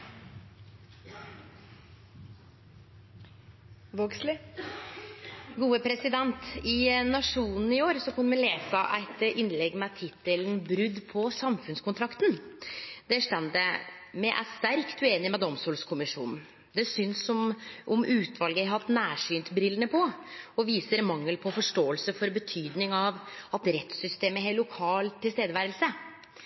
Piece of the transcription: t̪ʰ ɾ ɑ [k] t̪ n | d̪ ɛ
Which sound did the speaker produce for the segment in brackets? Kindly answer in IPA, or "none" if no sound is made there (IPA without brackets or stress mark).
k